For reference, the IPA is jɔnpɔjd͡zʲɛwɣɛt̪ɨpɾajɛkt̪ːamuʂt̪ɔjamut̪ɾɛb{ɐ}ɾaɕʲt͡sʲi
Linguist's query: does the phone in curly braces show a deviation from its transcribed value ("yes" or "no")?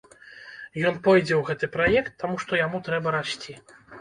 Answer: no